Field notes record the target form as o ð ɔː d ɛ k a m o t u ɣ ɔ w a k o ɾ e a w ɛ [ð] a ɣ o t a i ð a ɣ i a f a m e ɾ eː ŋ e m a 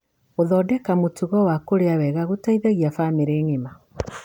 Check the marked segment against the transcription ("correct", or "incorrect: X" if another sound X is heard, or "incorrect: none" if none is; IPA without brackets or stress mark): incorrect: ɣ